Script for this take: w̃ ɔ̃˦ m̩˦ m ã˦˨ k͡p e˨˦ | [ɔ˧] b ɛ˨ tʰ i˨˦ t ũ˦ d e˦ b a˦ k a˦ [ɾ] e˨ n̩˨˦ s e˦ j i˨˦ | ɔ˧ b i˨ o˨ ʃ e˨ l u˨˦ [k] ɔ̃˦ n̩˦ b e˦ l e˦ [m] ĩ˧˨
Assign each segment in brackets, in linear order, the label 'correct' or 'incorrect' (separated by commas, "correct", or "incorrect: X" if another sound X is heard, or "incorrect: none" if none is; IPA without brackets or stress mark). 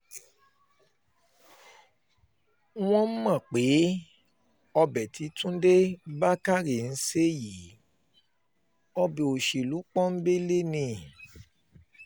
correct, correct, incorrect: k͡p, incorrect: n